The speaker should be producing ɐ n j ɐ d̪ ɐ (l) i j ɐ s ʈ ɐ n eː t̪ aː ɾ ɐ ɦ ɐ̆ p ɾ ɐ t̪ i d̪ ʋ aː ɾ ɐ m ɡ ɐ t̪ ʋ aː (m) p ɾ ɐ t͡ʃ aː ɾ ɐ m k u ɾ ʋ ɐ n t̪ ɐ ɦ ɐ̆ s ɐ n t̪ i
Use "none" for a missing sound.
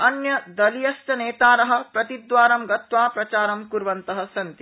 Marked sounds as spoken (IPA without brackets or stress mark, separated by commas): l, none